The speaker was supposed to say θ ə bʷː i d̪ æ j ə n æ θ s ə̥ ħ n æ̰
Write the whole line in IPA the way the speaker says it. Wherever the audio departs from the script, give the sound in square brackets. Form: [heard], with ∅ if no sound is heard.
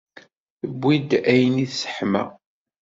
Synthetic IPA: θ ə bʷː i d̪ æ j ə n [i] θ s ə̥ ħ [m] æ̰